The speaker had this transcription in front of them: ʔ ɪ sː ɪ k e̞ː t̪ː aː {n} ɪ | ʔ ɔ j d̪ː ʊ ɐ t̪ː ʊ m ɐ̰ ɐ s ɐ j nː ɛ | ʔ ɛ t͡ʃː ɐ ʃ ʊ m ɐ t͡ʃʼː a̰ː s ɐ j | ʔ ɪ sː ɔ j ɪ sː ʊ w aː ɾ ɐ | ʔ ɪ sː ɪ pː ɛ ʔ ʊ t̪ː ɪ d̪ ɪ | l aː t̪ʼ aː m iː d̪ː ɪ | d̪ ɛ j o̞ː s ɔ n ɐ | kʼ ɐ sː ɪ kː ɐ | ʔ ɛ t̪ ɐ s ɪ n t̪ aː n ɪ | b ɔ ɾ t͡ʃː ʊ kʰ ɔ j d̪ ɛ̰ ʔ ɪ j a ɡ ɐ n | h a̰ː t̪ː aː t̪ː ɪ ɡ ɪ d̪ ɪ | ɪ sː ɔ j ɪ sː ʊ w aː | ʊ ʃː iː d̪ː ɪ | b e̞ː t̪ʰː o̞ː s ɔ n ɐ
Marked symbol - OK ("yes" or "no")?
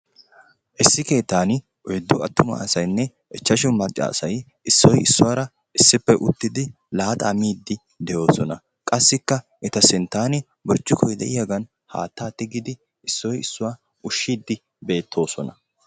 yes